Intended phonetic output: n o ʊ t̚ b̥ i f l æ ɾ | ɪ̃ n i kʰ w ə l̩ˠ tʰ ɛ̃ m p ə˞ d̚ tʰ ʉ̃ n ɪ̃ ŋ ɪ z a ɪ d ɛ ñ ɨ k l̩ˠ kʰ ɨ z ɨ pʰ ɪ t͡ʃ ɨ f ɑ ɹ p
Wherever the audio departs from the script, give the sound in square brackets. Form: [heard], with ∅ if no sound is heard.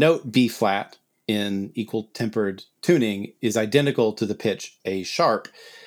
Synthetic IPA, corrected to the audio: n o ʊ t̚ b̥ i f l æ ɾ | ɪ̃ n i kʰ w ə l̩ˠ tʰ ɛ̃ m p ə˞ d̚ tʰ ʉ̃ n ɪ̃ ŋ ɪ z a ɪ d [ɛ̃] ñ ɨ k l̩ˠ [tʰ] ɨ [ð] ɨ pʰ ɪ t͡ʃ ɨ [ʃ] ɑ ɹ p